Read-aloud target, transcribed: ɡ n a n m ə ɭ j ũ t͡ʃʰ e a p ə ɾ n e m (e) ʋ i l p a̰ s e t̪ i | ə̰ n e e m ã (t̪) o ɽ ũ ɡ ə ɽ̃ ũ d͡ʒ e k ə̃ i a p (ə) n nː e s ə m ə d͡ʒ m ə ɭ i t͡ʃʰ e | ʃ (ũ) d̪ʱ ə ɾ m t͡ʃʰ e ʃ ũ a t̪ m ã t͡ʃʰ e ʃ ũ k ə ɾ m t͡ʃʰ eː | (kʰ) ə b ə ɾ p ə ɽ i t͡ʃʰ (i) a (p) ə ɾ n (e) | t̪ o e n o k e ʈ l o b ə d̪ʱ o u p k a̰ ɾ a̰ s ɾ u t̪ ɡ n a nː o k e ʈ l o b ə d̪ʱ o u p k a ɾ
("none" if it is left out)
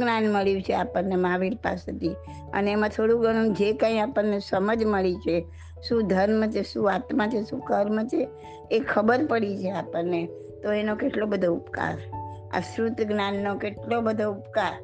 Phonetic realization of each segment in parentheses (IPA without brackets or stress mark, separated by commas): a, t̪ʰ, ə, ũ, kʰ, e, p, e